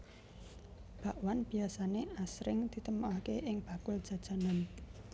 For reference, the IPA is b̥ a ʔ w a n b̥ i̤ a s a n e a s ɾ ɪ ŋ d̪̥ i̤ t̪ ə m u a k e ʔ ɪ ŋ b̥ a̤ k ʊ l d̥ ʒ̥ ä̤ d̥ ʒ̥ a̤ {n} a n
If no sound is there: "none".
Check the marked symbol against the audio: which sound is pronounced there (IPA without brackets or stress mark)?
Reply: n